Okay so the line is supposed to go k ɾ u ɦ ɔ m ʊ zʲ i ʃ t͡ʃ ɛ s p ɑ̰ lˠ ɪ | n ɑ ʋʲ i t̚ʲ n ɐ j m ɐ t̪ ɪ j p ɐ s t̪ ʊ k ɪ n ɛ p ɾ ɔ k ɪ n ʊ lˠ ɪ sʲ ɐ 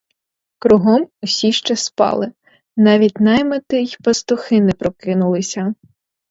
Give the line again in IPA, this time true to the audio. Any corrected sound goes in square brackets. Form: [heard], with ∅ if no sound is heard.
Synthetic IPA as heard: k ɾ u ɦ ɔ m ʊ [sʲ] i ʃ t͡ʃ ɛ s p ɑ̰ lˠ ɪ | n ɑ ʋʲ i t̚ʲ n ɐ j m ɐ t̪ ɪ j p ɐ s t̪ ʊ [x] ɪ n ɛ p ɾ ɔ k ɪ n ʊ lˠ ɪ sʲ ɐ